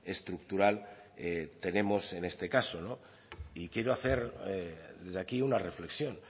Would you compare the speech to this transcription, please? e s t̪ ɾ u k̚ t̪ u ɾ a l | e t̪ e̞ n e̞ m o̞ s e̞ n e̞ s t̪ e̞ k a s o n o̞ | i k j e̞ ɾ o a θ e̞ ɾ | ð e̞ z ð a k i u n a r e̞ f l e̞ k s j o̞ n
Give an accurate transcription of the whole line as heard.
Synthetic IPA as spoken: e s t̪ ɾ u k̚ t̪ u ɾ a l | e t̪ e̞ n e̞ m o̞ s e̞ n e̞ s t̪ e̞ k a s o n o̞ | i k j e̞ ɾ o a θ e̞ ɾ | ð e̞ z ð a k i u n a r e̞ f l e̞ k s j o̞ n